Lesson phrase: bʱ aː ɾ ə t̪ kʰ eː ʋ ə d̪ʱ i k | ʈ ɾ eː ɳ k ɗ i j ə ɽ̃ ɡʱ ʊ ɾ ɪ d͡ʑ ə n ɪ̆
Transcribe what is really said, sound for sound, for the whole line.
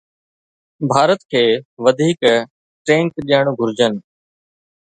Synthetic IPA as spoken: bʱ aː ɾ ə t̪ kʰ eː ʋ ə d̪ʱ iː k | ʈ ɾ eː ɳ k ɗ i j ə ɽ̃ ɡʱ ʊ ɾ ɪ d͡ʑ ə n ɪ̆

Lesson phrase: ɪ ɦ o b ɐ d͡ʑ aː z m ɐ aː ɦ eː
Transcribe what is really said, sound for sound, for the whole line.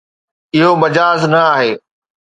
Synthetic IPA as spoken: ɪ ɦ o m ɐ d͡ʑ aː z n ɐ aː ɦ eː

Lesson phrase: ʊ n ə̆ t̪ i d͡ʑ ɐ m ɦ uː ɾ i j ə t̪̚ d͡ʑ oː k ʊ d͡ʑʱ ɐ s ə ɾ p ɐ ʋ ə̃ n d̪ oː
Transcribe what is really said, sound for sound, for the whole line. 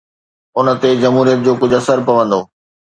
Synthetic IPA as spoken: ʊ n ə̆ t̪ e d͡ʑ ɐ m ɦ uː ɾ i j ə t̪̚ d͡ʑ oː k ʊ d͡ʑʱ ɐ s ə ɾ p ɐ ʋ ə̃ n d̪ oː

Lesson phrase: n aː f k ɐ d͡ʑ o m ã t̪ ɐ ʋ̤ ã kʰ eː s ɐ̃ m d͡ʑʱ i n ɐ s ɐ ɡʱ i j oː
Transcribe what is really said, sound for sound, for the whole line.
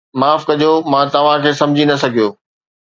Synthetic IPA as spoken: m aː f k ɐ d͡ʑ o m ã t̪ ɐ ʋ̤ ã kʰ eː s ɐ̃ m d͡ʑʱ i n ɐ s ɐ ɡʱ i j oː

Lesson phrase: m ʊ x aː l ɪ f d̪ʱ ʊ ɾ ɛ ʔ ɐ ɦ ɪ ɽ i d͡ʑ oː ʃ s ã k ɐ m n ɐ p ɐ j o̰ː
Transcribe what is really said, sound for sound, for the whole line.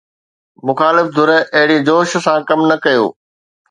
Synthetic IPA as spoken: m ʊ x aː l ɪ f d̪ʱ ʊ ɾ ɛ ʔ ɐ ɦ ɪ ɽ i d͡ʑ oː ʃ s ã k ɐ m n ɐ k ɐ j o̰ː

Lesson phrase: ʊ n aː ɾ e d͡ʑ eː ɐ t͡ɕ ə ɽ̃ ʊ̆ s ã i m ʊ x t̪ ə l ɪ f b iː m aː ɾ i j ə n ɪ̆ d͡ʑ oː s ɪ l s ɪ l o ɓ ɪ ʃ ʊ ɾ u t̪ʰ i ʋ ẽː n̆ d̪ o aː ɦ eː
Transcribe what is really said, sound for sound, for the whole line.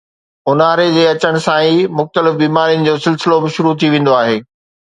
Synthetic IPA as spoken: ʊ n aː ɾ e d͡ʑ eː ɐ t͡ɕ ə ɽ̃ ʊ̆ s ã i m ʊ x t̪ ə l ɪ f b iː m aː ɾ i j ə n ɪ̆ d͡ʑ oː s ɪ l s ɪ l o b ɪ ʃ ʊ ɾ u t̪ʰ i ʋ ẽː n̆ d̪ o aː ɦ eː

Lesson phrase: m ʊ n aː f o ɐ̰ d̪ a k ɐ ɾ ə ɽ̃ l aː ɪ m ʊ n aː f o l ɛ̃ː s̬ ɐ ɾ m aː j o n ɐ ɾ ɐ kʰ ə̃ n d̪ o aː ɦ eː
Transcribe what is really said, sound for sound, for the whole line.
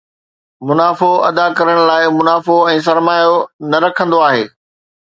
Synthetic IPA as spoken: m ʊ n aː f o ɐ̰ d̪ a k ɐ ɾ ə ɽ̃ l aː ɪ m ʊ n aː f o ɛ̃ː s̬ ɐ ɾ m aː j o n ɐ ɾ ɐ kʰ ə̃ n d̪ o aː ɦ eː

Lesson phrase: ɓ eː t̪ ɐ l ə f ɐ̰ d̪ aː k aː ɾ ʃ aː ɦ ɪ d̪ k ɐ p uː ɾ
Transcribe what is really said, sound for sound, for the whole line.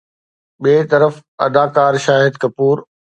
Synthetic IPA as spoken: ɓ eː t̪ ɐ ɾ ə f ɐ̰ d̪ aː k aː ɾ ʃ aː ɦ ɪ d̪ k ɐ p uː ɾ

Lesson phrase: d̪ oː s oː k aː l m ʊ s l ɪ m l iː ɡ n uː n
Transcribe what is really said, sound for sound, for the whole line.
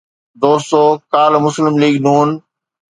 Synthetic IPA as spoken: d̪ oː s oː k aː l m ʊ s l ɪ m l iː ɡ n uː n

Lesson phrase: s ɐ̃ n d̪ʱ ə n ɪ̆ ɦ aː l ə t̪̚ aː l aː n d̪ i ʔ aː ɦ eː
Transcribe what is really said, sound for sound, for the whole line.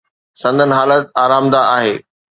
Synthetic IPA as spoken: s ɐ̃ n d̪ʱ ə n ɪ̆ ɦ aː l ə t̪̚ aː ɾ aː m d̪ a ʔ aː ɦ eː

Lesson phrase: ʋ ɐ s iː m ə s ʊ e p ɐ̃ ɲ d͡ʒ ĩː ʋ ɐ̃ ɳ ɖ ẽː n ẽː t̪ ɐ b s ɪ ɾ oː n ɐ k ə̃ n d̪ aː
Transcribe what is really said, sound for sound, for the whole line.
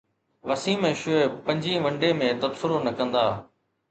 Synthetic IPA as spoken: ʋ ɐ s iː m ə ʃ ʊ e p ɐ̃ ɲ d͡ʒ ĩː ʋ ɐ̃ ɳ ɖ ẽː m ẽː t̪ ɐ b s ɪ ɾ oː n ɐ k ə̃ n d̪ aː

